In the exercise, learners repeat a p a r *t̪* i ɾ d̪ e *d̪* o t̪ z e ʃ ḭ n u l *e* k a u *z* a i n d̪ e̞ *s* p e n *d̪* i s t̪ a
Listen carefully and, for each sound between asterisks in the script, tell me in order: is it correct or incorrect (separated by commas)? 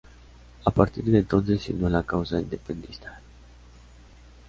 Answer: correct, incorrect, incorrect, correct, incorrect, correct